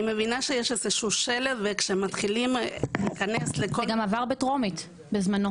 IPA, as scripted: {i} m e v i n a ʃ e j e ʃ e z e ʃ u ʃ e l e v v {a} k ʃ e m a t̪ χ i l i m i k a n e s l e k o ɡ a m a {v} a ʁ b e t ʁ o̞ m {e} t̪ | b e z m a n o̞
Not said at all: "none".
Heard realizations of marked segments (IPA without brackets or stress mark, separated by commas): i, e, v, i